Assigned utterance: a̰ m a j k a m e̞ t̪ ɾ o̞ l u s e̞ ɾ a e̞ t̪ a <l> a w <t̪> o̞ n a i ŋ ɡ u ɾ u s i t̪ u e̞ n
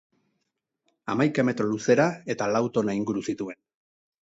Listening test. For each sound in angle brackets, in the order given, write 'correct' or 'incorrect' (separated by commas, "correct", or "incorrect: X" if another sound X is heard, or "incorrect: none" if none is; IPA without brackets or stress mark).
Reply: correct, correct